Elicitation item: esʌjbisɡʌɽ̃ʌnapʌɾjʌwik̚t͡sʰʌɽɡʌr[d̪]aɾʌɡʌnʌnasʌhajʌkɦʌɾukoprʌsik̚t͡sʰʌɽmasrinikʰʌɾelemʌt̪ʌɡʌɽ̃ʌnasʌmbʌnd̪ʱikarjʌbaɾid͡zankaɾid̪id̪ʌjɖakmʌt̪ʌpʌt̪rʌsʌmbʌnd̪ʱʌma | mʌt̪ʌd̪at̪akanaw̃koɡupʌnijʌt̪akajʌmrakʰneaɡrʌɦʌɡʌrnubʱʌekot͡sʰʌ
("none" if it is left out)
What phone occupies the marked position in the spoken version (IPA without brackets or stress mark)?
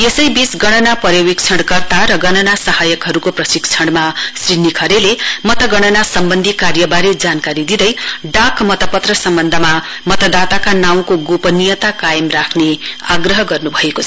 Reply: t̪